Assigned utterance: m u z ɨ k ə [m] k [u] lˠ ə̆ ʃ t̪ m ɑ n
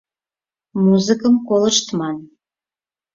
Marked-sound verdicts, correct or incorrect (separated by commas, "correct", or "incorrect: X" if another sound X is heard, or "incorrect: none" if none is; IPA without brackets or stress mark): correct, incorrect: o